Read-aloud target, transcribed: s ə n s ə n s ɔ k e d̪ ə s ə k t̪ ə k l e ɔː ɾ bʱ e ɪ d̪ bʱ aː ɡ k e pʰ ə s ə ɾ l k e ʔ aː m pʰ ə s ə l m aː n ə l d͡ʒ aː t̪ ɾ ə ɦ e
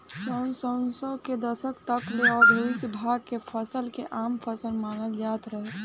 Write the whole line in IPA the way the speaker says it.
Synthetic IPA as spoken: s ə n s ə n s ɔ k e d̪ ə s ə k t̪ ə k l e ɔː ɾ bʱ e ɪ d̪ bʱ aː ɡ k e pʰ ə s ə l k e ʔ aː m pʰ ə s ə l m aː n ə l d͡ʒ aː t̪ ɾ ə ɦ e